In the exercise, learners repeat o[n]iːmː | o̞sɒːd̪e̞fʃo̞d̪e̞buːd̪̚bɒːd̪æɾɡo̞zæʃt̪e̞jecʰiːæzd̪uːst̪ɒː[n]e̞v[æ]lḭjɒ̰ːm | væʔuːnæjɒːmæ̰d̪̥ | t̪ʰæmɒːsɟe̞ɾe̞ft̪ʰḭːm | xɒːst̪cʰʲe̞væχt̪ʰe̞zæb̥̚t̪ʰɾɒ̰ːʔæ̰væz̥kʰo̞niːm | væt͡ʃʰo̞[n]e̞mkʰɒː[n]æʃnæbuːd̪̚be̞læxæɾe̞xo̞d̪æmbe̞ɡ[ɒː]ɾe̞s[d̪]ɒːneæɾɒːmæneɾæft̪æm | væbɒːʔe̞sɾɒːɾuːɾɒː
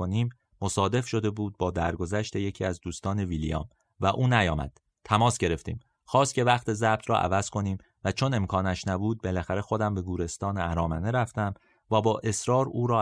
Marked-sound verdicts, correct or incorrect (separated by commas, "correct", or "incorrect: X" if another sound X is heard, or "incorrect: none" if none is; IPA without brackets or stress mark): correct, correct, incorrect: i, correct, correct, incorrect: uː, incorrect: t̪